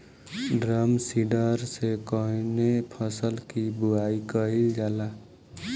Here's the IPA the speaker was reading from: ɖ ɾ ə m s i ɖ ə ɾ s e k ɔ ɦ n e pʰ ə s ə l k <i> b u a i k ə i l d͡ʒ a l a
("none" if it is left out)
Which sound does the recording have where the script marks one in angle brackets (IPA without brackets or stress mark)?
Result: i